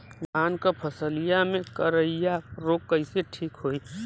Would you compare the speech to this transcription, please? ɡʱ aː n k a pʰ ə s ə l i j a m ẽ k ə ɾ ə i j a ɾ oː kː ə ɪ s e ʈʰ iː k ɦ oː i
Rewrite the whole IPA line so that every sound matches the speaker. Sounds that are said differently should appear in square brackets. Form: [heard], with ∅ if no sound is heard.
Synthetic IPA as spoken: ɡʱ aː n k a pʰ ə s ə l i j a m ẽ k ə ɾ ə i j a ɾ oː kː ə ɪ s e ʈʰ iː k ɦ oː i